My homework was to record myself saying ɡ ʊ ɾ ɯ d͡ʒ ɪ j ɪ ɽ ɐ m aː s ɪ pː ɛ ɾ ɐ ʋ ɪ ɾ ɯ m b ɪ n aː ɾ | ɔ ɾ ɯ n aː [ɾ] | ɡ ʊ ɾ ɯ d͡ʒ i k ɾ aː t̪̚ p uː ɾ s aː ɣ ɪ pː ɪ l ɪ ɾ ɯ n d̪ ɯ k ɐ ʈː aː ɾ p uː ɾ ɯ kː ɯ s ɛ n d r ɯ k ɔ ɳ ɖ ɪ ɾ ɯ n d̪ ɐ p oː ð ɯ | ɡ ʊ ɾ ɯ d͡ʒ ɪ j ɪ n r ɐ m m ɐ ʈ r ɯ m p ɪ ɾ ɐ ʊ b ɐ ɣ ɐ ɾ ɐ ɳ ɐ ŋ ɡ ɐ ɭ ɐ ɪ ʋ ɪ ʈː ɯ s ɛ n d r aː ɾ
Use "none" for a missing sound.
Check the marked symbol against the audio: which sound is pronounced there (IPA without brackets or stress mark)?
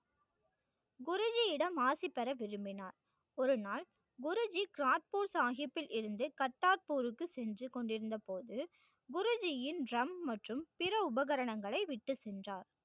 l